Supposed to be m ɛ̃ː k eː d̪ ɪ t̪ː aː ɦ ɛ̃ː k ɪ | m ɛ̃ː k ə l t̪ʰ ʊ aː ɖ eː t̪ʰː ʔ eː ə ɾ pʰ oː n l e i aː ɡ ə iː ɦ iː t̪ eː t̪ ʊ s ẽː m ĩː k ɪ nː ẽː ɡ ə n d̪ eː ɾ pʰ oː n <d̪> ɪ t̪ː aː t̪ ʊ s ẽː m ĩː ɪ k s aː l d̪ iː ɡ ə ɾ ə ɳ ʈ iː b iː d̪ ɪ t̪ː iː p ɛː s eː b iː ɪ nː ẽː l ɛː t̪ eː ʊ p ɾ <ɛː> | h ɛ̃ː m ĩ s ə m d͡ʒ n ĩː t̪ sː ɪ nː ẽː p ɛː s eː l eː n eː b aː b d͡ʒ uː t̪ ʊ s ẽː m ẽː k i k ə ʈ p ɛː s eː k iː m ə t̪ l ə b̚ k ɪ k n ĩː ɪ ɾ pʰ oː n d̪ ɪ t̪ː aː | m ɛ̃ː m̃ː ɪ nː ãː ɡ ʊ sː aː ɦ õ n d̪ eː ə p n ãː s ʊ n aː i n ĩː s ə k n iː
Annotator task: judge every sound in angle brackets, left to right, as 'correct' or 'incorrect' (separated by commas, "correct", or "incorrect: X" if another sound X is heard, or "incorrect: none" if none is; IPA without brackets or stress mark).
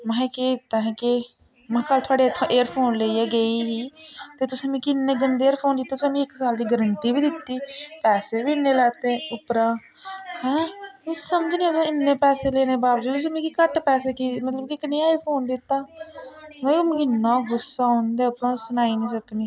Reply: correct, incorrect: aː